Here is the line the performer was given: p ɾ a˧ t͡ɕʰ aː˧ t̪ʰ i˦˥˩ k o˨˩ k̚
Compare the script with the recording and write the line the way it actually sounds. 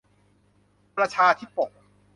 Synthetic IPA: p ɾ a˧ t͡ɕʰ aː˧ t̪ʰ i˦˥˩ p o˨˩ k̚